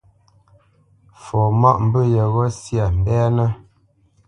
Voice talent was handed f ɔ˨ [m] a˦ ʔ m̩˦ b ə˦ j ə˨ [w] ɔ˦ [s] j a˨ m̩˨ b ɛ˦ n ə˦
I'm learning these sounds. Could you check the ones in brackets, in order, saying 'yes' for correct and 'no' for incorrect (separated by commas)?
yes, no, yes